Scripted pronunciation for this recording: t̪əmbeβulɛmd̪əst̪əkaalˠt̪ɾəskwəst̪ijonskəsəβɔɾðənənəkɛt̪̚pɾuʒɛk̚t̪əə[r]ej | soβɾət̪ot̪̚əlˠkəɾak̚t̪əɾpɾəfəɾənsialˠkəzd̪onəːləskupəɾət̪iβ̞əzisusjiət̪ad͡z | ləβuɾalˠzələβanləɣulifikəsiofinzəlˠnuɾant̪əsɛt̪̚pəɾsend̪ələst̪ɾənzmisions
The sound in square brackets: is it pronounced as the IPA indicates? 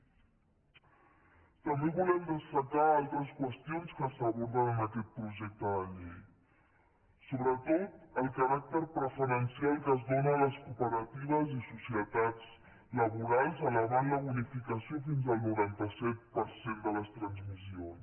no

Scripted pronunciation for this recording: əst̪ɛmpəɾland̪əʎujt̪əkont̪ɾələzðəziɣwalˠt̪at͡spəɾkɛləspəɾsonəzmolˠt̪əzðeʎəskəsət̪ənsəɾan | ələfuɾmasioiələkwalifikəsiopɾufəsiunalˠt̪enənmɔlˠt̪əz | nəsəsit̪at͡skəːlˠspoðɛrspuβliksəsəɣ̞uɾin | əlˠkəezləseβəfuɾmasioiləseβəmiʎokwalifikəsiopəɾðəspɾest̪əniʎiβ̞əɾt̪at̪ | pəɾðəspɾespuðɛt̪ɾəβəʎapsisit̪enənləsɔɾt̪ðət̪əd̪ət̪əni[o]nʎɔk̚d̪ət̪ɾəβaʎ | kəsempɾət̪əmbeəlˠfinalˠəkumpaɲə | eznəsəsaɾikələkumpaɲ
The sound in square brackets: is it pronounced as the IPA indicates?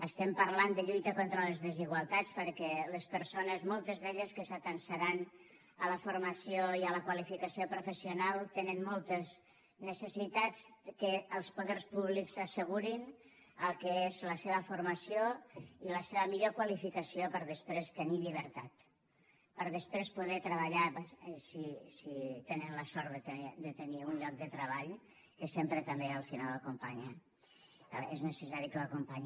no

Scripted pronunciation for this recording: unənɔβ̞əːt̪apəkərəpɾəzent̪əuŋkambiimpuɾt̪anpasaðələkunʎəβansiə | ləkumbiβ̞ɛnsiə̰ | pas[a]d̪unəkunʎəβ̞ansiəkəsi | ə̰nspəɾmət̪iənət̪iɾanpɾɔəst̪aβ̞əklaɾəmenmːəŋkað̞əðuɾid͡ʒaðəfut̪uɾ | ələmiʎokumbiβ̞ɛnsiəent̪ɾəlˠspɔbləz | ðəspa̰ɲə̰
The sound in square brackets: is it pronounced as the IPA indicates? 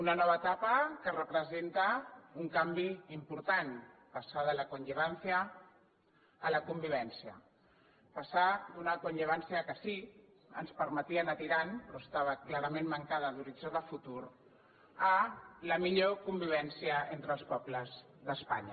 yes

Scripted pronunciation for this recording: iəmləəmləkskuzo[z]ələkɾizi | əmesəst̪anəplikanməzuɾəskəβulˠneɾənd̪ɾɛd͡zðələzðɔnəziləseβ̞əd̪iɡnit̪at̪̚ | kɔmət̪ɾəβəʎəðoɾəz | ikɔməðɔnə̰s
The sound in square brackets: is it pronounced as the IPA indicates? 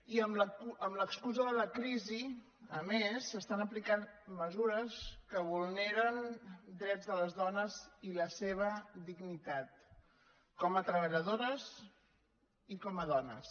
no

